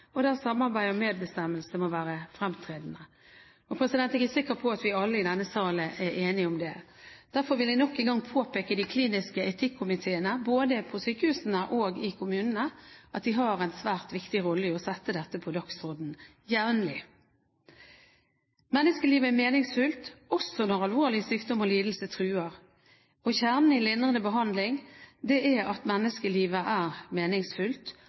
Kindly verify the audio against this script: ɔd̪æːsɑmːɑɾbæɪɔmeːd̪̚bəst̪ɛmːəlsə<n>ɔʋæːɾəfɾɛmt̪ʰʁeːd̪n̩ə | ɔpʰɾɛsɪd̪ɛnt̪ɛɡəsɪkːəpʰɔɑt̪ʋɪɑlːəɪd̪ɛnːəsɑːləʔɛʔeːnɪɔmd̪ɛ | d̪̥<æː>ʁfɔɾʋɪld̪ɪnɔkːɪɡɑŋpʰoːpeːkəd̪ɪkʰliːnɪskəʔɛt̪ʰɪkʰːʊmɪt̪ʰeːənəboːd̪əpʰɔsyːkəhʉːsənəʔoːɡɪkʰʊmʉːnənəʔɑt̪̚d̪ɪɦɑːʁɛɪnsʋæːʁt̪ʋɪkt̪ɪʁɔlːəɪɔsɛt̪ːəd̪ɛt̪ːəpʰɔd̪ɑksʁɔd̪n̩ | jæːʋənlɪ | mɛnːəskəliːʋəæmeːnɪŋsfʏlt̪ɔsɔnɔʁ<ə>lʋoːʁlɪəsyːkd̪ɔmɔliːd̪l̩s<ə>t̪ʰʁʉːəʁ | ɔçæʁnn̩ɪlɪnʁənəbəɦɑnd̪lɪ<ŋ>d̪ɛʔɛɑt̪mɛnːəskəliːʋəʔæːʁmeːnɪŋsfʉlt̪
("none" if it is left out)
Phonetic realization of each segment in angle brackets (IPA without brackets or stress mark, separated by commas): m, æ, ɑ, ə, ŋ